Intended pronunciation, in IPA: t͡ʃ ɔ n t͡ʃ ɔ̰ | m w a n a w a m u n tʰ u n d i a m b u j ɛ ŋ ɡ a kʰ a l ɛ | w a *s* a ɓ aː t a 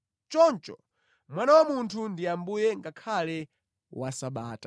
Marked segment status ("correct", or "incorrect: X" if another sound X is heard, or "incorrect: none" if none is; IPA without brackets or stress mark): correct